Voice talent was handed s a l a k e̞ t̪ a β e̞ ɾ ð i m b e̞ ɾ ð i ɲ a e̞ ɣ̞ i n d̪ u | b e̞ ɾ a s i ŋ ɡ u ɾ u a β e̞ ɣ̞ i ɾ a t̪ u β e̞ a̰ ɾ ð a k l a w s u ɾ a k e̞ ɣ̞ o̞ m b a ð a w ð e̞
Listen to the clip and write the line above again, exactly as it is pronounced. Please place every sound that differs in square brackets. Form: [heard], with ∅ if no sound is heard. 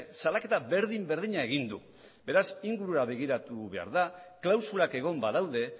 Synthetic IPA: s a l a k e̞ t̪ a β e̞ ɾ ð i m b e̞ ɾ ð i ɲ a e̞ ɣ̞ i n d̪ u | b e̞ ɾ a s i ŋ ɡ u ɾ u a β e̞ ɣ̞ i ɾ a t̪ u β e̞ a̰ ɾ ð a k l a w s u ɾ a k e̞ ɣ̞ o̞ m b a ð a w ð e̞